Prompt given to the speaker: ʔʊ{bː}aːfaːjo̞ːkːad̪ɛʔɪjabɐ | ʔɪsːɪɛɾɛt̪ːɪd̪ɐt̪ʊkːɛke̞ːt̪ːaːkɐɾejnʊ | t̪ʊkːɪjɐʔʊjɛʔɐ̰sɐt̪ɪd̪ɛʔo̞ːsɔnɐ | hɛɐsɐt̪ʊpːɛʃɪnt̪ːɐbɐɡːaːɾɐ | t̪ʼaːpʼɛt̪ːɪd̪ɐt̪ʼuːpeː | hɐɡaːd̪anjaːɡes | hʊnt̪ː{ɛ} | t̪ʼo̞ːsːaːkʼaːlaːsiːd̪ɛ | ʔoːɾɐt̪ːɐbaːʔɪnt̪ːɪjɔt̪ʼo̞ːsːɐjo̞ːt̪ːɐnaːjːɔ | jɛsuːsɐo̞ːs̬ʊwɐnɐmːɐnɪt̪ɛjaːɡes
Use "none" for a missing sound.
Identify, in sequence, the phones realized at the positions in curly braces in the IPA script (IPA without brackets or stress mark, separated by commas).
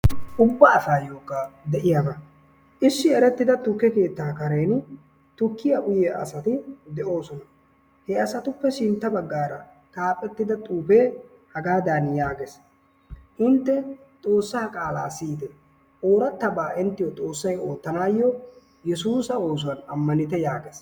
bː, ɛ